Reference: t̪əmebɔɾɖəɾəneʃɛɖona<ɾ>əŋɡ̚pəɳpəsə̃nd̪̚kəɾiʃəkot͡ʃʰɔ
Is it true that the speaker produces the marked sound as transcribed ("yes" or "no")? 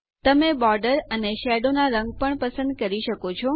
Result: yes